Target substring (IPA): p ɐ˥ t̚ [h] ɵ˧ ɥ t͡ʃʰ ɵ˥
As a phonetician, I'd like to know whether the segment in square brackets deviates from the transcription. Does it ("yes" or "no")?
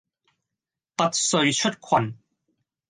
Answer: yes